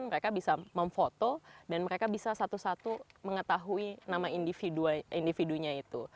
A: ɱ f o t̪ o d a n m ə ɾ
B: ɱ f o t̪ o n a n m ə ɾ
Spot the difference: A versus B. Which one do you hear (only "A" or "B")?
A